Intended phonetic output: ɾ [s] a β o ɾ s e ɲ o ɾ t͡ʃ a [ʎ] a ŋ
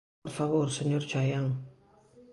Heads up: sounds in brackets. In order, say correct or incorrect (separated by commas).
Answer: incorrect, incorrect